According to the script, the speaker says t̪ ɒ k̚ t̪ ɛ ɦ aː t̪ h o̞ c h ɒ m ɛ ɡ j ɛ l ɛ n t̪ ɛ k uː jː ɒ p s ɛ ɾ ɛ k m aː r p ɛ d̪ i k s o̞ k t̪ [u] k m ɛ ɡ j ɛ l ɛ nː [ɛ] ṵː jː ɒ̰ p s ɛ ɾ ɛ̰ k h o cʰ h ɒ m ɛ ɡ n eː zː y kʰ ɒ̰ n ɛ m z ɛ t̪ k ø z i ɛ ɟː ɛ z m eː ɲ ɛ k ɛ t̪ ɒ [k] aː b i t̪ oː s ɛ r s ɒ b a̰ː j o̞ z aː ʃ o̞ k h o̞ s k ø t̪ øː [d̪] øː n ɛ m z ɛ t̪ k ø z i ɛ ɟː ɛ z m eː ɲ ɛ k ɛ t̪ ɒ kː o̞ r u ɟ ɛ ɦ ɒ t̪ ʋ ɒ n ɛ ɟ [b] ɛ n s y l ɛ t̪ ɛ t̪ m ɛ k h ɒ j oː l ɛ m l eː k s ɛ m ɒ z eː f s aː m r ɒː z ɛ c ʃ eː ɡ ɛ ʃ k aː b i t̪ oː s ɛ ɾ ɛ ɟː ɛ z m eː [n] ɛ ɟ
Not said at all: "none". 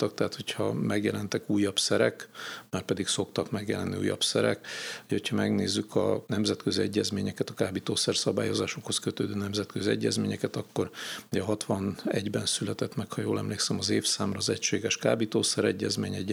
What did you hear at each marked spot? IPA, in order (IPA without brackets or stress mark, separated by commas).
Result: ɒ, i, k, d̪, b, ɲ